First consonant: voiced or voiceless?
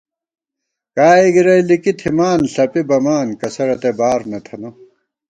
voiceless